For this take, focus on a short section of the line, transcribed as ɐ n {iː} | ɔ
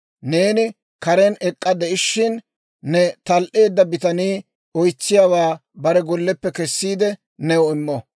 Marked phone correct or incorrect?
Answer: correct